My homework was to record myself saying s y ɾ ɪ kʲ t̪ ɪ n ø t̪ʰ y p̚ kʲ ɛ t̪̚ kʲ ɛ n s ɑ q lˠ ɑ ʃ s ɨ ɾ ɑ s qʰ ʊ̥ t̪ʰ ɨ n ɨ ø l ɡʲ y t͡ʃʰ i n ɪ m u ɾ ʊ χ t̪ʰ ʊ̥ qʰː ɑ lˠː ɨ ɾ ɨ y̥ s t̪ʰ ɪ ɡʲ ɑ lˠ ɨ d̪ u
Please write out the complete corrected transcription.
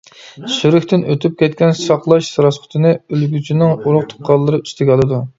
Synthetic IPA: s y ɾ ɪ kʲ t̪ ɪ n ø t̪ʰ y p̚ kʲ ɛ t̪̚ kʲ ɛ n s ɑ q lˠ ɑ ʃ s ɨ ɾ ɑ s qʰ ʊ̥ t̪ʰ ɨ n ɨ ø l ɡʲ y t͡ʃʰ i n ɪ ŋ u ɾ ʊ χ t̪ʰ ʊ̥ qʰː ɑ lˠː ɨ ɾ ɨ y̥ s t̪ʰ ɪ ɡʲ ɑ lˠ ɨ d̪ u